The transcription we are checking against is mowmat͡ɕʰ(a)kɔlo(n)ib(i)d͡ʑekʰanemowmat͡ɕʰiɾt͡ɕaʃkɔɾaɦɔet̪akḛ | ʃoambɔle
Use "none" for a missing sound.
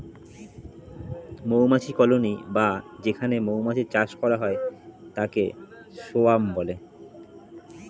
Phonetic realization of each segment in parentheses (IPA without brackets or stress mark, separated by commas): i, n, a